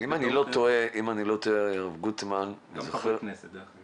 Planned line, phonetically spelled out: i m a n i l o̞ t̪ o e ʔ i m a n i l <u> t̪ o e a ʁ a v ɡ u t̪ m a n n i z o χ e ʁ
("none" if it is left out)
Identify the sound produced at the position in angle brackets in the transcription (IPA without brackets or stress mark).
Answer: o